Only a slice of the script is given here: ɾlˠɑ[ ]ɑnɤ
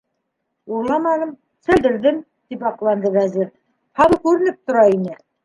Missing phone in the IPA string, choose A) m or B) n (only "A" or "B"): A